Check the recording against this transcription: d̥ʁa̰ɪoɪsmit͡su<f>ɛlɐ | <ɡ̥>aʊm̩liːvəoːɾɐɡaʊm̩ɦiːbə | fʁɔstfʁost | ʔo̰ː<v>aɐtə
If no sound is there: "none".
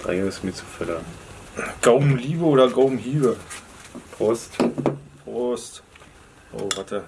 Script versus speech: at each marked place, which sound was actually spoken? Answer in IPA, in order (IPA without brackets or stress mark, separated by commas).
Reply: f, ɡ̥, v